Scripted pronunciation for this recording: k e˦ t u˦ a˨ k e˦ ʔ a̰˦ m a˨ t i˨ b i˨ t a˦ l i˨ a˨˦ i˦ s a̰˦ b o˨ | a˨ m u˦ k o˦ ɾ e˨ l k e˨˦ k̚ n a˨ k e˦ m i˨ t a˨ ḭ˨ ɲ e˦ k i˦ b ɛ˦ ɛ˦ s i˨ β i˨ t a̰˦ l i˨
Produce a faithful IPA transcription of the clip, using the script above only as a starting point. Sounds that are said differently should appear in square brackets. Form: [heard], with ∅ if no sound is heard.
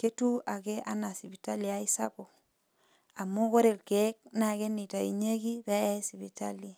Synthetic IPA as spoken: k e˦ t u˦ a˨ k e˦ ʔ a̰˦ [n] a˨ [s] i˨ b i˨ t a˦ l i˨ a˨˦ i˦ s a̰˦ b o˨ | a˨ m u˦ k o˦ ɾ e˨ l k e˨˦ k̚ n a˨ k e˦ [n] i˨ t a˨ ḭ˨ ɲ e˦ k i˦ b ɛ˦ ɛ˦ s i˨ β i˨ t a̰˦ l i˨